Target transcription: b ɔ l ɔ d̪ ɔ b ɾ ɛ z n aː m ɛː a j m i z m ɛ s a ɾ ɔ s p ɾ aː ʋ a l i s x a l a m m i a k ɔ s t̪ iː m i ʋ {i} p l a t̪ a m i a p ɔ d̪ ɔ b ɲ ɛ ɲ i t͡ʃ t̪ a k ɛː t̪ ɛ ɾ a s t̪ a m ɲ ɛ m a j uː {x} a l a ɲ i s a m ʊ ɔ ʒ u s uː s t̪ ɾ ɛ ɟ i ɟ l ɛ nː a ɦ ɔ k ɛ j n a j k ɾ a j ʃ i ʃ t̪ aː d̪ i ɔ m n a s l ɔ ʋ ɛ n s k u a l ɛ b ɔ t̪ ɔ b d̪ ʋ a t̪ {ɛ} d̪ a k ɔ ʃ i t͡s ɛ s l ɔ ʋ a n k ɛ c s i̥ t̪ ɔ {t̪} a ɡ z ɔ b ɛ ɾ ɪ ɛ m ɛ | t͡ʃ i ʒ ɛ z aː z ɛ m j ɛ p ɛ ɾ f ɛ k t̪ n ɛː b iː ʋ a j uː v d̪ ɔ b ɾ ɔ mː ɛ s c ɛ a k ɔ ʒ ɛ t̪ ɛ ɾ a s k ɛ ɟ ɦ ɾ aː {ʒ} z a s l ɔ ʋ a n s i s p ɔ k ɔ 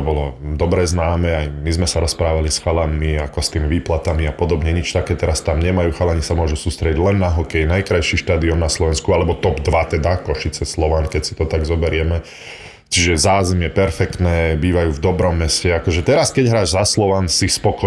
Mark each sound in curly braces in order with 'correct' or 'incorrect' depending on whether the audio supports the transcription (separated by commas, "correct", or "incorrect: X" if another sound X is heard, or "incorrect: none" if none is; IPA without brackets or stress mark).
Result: incorrect: iː, correct, correct, correct, correct